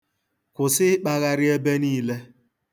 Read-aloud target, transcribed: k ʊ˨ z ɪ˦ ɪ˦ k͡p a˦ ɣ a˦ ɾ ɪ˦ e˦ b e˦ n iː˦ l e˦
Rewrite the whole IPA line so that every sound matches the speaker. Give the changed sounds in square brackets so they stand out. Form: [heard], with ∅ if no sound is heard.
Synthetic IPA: k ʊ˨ [s] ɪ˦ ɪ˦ k͡p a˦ ɣ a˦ ɾ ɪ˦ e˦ b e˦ n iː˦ l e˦